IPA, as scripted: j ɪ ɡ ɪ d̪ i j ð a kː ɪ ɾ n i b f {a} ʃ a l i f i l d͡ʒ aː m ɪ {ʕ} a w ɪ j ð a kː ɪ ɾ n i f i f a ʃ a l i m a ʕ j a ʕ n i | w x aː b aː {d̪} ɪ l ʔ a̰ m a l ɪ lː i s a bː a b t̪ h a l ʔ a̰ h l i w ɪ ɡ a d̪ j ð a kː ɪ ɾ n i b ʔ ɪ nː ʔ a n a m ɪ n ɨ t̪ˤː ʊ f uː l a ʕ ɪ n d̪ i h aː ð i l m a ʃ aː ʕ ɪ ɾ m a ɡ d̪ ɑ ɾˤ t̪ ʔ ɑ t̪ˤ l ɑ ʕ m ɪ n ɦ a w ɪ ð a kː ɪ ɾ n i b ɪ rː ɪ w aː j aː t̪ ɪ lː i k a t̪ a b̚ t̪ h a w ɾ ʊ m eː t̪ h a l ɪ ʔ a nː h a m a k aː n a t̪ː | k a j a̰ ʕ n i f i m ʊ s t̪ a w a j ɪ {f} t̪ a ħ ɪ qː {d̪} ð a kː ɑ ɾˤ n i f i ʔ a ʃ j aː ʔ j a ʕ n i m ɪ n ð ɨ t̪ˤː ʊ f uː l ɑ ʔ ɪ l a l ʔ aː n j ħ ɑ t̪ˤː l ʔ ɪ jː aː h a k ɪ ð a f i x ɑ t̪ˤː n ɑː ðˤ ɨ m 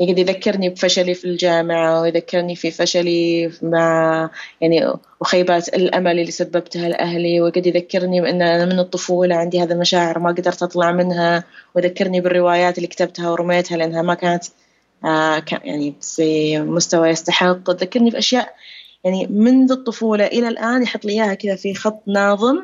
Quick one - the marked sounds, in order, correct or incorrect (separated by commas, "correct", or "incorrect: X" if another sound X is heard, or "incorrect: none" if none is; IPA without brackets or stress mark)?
correct, correct, incorrect: t̪, incorrect: s, incorrect: t̪